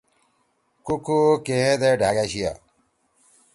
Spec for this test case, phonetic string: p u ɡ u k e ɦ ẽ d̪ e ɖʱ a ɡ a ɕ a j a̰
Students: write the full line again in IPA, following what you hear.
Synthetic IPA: k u k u k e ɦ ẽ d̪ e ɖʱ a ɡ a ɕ i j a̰